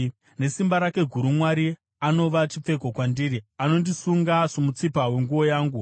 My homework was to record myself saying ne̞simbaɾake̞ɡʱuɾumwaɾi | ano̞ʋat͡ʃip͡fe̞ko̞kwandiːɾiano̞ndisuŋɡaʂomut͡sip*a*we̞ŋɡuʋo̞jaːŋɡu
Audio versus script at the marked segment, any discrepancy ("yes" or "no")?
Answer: no